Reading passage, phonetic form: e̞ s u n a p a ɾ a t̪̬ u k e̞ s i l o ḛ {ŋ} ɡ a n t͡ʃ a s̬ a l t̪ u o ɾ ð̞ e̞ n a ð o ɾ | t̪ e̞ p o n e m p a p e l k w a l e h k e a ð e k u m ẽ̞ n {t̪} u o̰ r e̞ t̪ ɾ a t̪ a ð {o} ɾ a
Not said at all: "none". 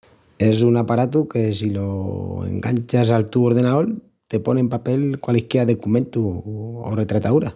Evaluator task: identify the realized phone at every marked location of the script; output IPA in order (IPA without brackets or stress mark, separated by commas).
ŋ, t̪, u